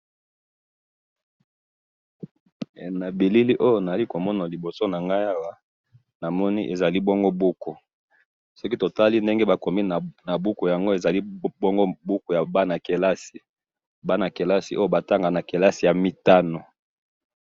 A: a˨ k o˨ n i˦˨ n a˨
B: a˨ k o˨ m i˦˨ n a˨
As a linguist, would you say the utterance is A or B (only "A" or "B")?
B